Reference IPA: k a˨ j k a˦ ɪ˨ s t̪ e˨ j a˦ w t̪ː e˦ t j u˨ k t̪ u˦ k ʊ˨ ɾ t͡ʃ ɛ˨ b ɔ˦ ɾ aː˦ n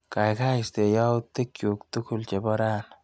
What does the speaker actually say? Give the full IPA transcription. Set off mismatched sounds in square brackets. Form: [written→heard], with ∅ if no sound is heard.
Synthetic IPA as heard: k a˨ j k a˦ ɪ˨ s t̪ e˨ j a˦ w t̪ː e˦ [t→k] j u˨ k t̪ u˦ k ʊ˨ [ɾ→l] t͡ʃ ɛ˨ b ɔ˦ ɾ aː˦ n

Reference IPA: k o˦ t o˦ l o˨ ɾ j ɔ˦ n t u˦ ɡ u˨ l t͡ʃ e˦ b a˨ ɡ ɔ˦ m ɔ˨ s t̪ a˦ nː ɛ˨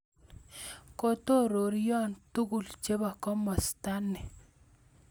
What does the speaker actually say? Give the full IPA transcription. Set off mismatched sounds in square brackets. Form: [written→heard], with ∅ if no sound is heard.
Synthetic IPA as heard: k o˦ t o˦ [l→ɾ] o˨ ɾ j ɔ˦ n t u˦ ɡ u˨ l t͡ʃ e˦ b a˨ [ɡ→k] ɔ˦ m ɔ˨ s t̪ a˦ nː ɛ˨

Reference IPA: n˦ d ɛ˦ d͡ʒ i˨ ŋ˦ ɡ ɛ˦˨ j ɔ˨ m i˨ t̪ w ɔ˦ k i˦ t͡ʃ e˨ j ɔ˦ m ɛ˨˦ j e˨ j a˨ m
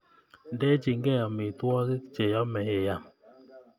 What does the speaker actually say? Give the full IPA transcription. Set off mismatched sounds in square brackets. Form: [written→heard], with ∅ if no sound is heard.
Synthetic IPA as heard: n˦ d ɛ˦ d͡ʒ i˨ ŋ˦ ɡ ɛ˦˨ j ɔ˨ m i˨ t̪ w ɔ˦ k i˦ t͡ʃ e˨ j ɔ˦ m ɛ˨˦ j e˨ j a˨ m

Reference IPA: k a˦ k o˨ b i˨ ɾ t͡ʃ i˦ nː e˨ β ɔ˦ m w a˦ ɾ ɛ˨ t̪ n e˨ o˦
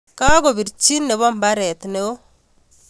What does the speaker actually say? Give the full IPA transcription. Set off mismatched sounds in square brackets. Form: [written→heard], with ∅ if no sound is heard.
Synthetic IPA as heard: k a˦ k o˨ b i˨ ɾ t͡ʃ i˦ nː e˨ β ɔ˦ m [w→b] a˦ ɾ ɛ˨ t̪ n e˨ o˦

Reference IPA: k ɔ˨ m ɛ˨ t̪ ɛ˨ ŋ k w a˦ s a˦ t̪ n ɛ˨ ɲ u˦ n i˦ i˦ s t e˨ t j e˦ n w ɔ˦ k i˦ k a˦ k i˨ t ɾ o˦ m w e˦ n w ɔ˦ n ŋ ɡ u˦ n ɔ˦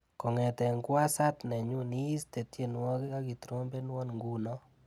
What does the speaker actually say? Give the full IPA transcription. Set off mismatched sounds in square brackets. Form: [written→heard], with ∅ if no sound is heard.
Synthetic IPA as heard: k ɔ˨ [m→ŋ] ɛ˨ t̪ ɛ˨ ŋ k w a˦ s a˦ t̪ n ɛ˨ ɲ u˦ n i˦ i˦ s t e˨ t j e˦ n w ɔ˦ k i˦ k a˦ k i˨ t ɾ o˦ m [w→b] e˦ n w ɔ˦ n ŋ ɡ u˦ n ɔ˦

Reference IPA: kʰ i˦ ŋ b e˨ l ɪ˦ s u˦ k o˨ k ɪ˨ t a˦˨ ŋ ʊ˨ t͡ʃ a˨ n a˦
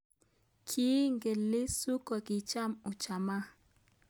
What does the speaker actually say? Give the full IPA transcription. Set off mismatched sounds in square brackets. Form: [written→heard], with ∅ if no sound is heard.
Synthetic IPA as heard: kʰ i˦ ŋ [b→ɡ] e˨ l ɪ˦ s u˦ k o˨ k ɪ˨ [t→t͡ʃ] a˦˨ [ŋ→m] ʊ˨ t͡ʃ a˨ [n→m] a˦

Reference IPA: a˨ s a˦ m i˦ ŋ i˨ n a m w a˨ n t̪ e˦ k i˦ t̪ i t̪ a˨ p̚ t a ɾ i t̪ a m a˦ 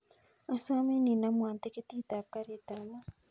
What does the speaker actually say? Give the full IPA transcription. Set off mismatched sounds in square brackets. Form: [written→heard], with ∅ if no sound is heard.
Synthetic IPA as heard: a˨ s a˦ m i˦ [ŋ→n] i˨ n a m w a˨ n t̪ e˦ k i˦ t̪ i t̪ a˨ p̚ [t→k] a ɾ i t̪ a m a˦

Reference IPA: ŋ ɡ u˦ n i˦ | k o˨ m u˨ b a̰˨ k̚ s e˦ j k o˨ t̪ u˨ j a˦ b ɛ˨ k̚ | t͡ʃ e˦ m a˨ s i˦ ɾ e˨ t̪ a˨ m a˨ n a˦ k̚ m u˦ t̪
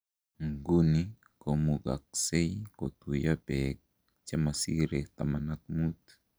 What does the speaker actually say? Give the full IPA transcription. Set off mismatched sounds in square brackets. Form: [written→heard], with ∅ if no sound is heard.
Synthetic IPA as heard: ŋ ɡ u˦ n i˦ | k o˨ m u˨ [b→ɡ] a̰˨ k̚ s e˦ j k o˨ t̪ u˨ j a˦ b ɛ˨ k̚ | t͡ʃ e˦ m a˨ s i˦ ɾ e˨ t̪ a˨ m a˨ n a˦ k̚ m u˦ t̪

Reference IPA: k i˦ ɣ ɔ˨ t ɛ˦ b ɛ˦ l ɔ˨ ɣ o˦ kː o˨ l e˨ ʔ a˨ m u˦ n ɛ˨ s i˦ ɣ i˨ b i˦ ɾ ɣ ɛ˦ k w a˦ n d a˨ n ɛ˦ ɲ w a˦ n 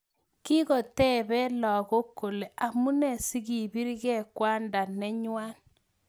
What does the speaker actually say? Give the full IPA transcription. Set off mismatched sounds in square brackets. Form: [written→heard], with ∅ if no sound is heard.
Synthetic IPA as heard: k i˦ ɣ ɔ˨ t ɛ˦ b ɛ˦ l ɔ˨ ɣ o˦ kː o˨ l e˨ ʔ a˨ m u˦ n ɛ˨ s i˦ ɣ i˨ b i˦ ɾ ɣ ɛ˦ k w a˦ n d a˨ n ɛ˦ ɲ w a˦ n

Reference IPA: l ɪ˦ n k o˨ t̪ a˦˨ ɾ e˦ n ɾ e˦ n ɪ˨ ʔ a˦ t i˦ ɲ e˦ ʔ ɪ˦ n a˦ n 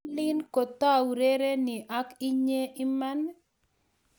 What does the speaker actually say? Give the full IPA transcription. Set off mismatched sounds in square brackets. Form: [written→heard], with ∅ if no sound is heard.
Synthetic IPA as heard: l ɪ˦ n k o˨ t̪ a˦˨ ɾ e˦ [n→∅] ɾ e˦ n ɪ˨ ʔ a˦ [t→k] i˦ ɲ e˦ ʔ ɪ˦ [n→m] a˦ n

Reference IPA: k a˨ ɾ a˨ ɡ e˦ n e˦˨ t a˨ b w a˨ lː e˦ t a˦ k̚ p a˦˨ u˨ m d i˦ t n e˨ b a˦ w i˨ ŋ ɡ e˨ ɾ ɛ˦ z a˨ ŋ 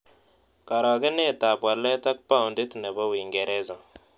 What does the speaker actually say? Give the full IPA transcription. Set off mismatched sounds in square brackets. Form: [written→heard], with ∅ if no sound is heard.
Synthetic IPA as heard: k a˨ ɾ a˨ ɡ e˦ n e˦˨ t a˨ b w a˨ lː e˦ t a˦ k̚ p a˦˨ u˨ [m→n] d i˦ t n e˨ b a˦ w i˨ ŋ ɡ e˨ ɾ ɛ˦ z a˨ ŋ

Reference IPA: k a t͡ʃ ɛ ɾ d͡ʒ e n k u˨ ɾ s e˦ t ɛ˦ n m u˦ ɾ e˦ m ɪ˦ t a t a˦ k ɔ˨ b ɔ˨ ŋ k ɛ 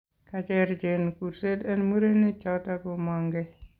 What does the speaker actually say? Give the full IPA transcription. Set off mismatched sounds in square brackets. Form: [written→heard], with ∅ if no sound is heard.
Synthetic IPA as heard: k a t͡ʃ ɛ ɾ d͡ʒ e n k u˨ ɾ s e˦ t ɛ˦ n m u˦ ɾ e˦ [m→n] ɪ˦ [t→t͡ʃ] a t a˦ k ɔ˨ [b→m] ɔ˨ ŋ [k→ɡ] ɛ

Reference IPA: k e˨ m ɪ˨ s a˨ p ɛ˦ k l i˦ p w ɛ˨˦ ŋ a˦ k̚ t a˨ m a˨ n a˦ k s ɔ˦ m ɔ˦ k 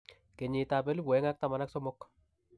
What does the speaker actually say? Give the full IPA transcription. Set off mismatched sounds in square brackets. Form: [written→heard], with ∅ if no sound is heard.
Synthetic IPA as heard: k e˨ [m→ɲ] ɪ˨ [s→t] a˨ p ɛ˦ [k→∅] l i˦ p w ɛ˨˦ ŋ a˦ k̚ t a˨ m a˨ n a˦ k s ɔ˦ m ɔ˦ k

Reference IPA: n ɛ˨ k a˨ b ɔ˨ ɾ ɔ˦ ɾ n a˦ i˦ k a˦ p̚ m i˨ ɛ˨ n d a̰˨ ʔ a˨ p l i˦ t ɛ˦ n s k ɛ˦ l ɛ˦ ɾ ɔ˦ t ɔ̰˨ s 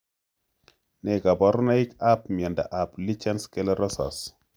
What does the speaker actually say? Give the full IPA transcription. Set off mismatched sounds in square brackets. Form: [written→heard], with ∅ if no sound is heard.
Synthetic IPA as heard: n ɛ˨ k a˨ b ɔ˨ ɾ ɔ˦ [ɾ→∅] n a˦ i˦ k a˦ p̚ m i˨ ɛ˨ n d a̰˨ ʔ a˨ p l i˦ [t→t͡ʃ] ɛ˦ n s k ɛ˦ l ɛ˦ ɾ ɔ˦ [t→s] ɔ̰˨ s

